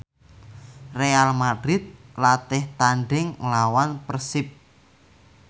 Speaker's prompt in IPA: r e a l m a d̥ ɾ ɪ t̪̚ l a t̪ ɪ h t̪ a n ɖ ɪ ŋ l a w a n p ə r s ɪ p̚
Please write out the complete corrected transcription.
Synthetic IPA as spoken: r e a l m a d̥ ɾ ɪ t̪̚ l a t̪ ɪ h t̪ a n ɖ ɪ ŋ l a w a n p ə r s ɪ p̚